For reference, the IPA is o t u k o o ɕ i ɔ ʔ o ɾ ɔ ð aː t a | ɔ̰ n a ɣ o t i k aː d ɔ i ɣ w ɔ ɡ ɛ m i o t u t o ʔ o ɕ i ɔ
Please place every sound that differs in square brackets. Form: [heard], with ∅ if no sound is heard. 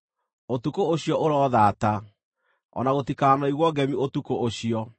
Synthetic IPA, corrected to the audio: o t u k o o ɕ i ɔ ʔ o ɾ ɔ ð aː t a | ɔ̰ n a ɣ o t i k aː [n] ɔ i ɣ w ɔ ɡ ɛ m i o t u [k] o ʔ o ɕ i ɔ